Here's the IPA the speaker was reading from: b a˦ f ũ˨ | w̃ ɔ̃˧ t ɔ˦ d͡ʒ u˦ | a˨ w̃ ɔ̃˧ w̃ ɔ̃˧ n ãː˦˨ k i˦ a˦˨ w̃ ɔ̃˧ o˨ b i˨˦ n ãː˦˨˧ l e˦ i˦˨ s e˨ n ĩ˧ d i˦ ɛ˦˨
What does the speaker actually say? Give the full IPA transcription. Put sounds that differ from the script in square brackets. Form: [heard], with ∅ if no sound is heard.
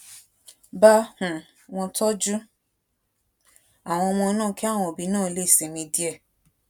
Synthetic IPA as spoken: b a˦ [h] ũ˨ | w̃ ɔ̃˧ t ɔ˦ d͡ʒ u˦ | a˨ w̃ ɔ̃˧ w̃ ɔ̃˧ n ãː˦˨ k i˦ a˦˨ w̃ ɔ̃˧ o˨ b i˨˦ n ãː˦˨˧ l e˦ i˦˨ s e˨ [m] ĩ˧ d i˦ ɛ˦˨